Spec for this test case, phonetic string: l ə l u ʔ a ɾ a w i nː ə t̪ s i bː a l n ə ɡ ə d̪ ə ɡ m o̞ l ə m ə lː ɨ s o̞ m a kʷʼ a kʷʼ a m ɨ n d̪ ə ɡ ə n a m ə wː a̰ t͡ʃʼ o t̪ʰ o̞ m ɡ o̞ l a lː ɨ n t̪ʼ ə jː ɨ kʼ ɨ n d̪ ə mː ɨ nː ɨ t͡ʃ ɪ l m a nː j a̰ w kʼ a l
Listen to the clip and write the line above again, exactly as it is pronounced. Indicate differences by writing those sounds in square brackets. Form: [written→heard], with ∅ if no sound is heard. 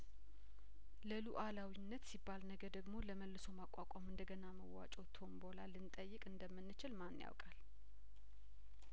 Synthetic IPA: l ə l u ʔ a [ɾ→l] a w i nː ə t̪ s i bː a l n ə ɡ ə d̪ ə ɡ m o̞ l ə m ə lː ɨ s o̞ m a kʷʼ a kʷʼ a m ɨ n d̪ ə ɡ ə n a m ə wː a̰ t͡ʃʼ o t̪ʰ o̞ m [ɡ→b] o̞ l a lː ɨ n t̪ʼ ə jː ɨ kʼ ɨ n d̪ ə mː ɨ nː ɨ t͡ʃ ɪ l m a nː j a̰ w kʼ a l